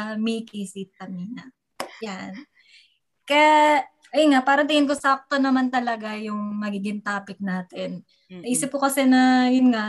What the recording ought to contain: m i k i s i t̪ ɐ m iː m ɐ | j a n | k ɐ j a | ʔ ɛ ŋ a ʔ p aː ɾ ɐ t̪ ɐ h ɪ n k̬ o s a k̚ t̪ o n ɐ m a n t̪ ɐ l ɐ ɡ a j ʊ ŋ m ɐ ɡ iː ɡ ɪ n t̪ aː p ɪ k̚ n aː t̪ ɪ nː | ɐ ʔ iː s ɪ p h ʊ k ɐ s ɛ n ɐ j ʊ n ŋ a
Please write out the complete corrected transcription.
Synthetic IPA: m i k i s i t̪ ɐ m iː n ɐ | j a n | k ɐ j a | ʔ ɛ ŋ a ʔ p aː ɾ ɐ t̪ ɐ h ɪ n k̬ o s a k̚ t̪ o n ɐ m a n t̪ ɐ l ɐ ɡ a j ʊ ŋ m ɐ ɡ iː ɡ ɪ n t̪ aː p ɪ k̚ n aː t̪ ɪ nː | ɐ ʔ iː s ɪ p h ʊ k ɐ s ɛ n ɐ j ʊ n ŋ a